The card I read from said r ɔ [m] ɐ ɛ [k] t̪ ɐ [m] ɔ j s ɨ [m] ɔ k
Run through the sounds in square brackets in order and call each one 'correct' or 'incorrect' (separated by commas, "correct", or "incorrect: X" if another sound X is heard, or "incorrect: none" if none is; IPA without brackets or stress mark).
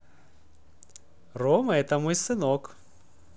correct, incorrect: none, correct, incorrect: n